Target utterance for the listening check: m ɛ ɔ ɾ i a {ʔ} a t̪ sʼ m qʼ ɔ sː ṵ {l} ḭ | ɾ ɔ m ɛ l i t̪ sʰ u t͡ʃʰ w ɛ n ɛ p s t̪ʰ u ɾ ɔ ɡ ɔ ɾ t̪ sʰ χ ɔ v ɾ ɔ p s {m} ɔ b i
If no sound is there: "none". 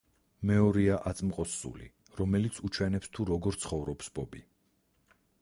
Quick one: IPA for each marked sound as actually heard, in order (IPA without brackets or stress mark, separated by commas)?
ʔ, l, b